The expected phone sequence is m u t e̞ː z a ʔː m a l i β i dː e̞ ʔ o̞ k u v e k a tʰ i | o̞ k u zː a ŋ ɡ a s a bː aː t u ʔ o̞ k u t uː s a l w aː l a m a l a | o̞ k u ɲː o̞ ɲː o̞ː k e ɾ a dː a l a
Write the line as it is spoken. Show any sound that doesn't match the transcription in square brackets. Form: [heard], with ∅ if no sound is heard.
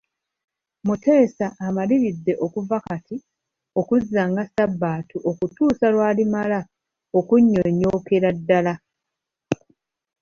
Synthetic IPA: m u t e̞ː [s] a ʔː m a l i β i dː e̞ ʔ o̞ k u v [a] k a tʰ i | o̞ k u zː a ŋ ɡ a s a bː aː t u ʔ o̞ k u t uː s a l w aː l [i] m a l a | o̞ k u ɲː o̞ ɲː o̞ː k e ɾ a dː a l a